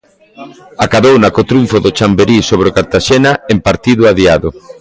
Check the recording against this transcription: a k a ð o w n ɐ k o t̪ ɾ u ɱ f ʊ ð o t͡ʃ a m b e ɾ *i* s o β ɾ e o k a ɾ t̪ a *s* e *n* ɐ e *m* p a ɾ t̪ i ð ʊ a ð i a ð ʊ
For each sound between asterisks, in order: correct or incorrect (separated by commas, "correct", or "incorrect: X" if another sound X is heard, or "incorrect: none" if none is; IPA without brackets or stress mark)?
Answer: correct, incorrect: ʃ, correct, correct